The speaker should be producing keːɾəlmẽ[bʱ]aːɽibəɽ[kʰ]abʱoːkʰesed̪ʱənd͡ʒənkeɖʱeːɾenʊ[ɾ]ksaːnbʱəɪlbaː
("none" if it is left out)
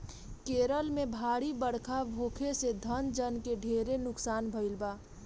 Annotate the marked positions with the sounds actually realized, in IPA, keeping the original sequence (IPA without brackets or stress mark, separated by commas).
bʱ, kʰ, none